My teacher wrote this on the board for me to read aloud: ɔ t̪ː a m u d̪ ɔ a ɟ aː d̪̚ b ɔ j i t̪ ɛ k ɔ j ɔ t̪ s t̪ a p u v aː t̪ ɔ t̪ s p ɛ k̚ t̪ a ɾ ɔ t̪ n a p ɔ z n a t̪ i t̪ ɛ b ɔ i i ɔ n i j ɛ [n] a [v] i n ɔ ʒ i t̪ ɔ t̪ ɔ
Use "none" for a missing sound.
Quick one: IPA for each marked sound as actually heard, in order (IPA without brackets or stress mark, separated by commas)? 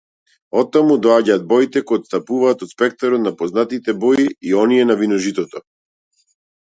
n, v